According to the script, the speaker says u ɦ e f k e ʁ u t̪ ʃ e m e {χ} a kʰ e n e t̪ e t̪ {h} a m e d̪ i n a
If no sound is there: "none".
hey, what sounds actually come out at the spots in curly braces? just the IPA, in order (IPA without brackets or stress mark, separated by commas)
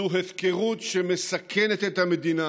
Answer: s, h